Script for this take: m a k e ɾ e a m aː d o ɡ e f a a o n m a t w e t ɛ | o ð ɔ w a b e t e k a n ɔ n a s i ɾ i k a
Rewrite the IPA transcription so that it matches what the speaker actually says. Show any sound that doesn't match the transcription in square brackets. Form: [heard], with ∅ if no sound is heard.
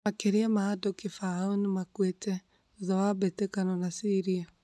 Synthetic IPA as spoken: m a k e ɾ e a m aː d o [k] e f a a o n m a [k] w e t ɛ | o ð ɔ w a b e t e k a n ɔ n a s i ɾ i [∅] a